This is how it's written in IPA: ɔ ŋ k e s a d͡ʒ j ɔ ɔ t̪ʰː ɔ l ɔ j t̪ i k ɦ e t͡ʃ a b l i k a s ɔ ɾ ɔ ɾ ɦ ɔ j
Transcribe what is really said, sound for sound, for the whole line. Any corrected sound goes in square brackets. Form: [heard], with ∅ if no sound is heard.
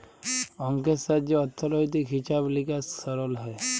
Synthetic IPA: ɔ ŋ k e s a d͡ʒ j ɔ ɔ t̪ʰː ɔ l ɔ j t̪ i k ɦ [i] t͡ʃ a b l i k a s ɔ ɾ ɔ [l] ɦ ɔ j